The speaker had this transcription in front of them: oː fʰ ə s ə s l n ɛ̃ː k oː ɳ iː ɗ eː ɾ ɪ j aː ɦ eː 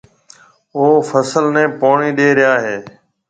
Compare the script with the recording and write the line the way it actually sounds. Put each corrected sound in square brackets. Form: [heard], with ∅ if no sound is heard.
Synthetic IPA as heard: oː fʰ ə s ə [∅] l n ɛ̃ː [p] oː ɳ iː ɗ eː ɾ ɪ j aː ɦ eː